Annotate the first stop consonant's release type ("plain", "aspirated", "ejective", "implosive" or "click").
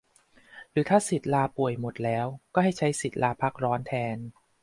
aspirated